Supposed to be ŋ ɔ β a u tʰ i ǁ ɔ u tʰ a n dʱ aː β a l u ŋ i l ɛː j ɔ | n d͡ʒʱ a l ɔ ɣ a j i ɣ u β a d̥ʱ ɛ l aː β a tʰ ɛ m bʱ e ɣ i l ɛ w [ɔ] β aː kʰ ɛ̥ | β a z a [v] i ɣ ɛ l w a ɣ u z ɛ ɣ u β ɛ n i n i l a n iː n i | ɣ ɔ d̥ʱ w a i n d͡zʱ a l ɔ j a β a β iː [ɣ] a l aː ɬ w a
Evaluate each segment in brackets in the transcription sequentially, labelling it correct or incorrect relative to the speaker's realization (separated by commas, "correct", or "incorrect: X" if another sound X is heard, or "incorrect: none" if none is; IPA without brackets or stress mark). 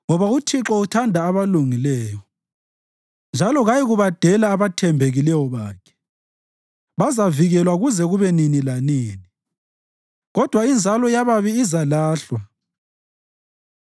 correct, correct, incorrect: z